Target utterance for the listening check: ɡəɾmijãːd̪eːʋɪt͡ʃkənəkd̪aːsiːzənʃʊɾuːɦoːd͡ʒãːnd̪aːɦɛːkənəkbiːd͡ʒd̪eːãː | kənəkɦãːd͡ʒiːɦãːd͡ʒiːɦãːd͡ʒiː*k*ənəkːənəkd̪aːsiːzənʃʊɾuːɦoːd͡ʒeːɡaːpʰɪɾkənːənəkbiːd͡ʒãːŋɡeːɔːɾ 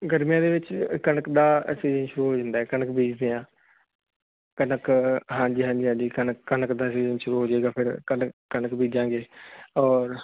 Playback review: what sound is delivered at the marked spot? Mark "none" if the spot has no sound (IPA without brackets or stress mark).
k